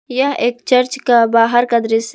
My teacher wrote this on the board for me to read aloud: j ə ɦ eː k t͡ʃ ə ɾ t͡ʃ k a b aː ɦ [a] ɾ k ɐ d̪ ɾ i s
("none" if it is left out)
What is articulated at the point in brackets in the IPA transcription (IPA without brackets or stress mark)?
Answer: ə